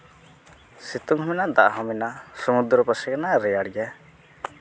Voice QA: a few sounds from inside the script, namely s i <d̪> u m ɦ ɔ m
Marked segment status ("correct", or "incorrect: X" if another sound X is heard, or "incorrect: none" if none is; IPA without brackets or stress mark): incorrect: t̪